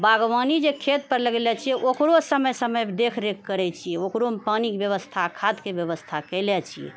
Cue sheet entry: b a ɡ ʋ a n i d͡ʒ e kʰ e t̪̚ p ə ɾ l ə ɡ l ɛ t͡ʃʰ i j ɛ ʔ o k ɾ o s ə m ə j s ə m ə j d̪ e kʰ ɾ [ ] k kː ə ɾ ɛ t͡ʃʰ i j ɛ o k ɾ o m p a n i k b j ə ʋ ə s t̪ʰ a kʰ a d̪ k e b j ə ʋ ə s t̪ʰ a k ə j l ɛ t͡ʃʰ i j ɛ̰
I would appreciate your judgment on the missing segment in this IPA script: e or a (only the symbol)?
e